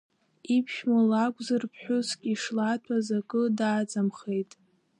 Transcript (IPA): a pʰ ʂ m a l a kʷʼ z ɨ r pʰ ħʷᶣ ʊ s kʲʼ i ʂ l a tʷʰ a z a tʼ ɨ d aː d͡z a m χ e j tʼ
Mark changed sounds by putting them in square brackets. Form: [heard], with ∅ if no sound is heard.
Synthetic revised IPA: [i] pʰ [ʃ] m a l a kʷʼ z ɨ r pʰ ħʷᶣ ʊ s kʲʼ i ʂ l a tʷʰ a z a [kʼ] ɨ d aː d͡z a m χ e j tʼ